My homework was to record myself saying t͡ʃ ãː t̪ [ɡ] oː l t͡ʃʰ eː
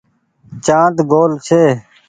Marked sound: correct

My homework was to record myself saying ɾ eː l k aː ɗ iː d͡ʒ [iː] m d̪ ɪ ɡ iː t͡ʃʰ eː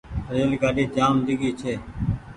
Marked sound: incorrect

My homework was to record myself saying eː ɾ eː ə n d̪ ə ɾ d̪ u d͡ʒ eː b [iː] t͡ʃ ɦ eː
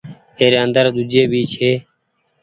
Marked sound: correct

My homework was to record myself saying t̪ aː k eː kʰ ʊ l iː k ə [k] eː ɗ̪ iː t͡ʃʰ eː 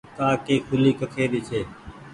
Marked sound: incorrect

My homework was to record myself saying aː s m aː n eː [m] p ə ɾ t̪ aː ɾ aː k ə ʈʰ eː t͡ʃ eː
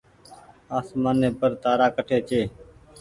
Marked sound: incorrect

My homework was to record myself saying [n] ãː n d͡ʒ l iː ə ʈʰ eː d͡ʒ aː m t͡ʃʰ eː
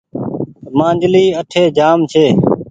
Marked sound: incorrect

